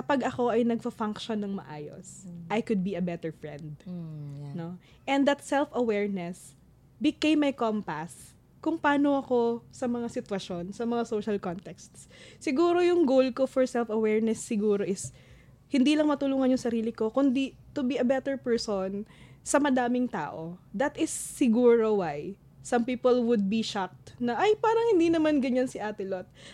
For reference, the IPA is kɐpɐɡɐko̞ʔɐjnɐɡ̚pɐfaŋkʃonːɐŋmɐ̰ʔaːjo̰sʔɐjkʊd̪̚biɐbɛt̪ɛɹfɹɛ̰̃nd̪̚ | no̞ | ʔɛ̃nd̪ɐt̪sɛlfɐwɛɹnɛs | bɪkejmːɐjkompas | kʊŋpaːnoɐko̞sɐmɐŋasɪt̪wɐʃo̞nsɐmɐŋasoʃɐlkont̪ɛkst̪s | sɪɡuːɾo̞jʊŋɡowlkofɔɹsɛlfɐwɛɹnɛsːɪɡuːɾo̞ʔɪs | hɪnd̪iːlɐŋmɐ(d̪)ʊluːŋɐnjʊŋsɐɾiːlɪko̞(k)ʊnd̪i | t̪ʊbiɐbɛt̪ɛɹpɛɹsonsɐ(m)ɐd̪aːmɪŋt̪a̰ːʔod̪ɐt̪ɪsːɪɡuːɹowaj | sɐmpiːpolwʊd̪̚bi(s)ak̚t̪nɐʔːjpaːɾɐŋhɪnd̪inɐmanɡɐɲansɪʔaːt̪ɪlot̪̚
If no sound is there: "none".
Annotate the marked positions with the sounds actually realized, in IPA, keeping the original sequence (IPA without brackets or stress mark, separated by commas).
t̪, k, m, ʃ